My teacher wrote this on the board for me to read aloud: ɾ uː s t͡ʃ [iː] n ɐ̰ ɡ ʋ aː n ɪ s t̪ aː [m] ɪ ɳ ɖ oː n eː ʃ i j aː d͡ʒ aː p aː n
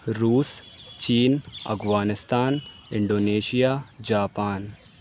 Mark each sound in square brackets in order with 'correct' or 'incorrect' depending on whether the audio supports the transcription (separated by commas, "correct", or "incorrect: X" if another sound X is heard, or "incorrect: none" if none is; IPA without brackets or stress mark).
correct, incorrect: n